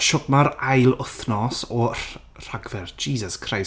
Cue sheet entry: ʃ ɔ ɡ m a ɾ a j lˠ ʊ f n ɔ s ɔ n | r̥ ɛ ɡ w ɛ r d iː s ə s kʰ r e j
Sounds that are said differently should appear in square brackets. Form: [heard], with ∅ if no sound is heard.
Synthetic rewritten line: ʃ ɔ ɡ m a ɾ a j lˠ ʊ [θ] n ɔ s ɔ [∅] | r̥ [a] ɡ [v] ɛ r [d͡ʒ] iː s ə s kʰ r [a] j